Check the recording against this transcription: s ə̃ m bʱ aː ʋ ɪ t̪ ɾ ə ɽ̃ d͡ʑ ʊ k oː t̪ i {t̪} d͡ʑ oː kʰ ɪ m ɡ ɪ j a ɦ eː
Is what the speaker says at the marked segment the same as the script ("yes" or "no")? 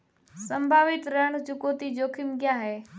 no